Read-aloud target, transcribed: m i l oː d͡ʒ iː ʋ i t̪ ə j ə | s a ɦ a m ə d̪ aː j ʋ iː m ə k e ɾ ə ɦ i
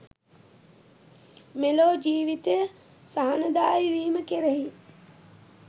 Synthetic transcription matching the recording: m e l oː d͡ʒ iː ʋ i t̪ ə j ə | s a ɦ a n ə d̪ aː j ʋ iː m ə k e ɾ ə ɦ i